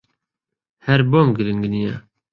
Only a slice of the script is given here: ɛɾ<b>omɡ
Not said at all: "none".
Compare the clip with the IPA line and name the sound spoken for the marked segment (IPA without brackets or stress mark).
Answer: b